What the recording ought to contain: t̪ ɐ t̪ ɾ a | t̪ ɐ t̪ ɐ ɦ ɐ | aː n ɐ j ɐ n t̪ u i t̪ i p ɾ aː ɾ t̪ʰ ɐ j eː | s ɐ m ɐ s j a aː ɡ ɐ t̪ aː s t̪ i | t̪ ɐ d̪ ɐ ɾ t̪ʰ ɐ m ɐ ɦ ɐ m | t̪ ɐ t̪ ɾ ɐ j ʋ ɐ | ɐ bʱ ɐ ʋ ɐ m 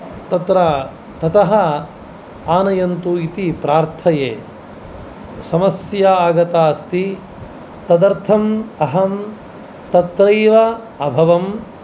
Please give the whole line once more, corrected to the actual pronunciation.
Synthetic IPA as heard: t̪ ɐ t̪ ɾ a | t̪ ɐ t̪ ɐ ɦ ɐ | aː n ɐ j ɐ n t̪ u i t̪ i p ɾ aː ɾ t̪ʰ ɐ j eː | s ɐ m ɐ s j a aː ɡ ɐ t̪ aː s t̪ i | t̪ ɐ d̪ ɐ ɾ t̪ʰ ɐ m ɐ ɦ ɐ m | t̪ ɐ t̪ ɾ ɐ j ʋ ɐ | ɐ bʱ ɐ ʋ ɐ m